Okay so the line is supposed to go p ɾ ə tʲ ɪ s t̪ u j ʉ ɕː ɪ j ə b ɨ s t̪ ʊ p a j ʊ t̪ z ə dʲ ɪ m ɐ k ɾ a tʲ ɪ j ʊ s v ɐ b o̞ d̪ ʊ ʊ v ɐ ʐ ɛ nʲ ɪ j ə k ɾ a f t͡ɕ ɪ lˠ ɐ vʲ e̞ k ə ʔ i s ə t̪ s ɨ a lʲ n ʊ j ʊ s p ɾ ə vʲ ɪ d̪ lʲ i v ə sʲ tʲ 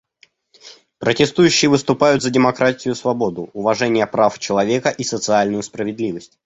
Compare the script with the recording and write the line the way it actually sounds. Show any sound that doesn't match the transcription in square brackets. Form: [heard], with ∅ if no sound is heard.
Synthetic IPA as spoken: p ɾ ə tʲ ɪ s t̪ u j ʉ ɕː ɪ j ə [v] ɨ s t̪ ʊ p a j ʊ t̪ z ə dʲ ɪ m ɐ k ɾ a tʲ ɪ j ʊ s v ɐ b o̞ d̪ ʊ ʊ v ɐ ʐ ɛ nʲ ɪ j ə [p] ɾ a f t͡ɕ ɪ lˠ ɐ vʲ e̞ k ə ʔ i s ə t̪ s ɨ a lʲ n ʊ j ʊ s p ɾ ə vʲ ɪ d̪ lʲ i v ə sʲ tʲ